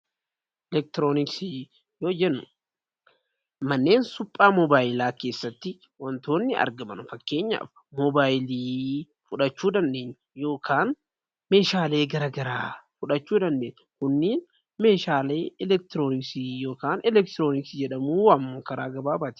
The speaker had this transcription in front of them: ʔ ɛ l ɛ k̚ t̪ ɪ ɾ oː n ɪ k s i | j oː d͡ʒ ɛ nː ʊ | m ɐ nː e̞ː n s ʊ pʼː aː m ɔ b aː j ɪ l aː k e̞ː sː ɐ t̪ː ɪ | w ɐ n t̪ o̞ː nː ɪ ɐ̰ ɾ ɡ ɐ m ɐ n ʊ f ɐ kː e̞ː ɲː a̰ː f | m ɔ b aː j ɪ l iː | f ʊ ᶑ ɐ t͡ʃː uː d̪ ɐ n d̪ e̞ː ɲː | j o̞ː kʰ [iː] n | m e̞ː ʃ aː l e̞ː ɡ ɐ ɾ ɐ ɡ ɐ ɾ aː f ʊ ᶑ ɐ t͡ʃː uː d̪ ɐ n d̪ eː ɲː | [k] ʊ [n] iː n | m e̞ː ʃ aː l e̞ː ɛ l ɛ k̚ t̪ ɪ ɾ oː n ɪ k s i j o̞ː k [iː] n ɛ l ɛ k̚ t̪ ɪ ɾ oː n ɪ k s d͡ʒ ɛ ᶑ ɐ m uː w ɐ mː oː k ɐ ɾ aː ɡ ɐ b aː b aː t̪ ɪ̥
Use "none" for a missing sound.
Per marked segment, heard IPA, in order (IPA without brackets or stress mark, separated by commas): aː, k, nː, aː